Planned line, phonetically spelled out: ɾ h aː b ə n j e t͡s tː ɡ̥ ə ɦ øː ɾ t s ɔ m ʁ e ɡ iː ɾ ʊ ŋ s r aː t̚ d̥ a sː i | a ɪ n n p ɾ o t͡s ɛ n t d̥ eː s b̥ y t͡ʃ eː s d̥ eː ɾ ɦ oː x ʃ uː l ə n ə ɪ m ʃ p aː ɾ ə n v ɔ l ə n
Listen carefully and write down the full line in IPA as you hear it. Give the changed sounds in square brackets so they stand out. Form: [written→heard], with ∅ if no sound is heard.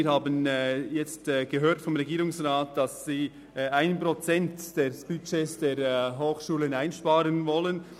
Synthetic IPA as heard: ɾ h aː b ə n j [e→ɛ] t͡s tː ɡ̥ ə ɦ øː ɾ t [s→f] ɔ m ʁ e ɡ iː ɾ ʊ ŋ s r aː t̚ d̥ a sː [i→iː] | a ɪ n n p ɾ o t͡s ɛ n t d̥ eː s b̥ y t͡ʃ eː s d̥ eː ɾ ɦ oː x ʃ uː l ə n [ə→a] ɪ [m→n] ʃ p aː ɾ ə n v ɔ l ə n